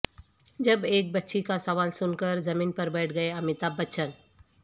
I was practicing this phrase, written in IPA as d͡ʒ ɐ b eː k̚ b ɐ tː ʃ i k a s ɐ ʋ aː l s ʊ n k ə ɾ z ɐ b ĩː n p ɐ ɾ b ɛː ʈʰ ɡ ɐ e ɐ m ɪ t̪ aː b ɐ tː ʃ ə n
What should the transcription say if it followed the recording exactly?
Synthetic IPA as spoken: d͡ʒ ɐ b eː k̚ b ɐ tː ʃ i k a s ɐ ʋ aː l s ʊ n k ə ɾ z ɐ m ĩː n p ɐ ɾ b ɛː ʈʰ ɡ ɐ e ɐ m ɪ t̪ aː b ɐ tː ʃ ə n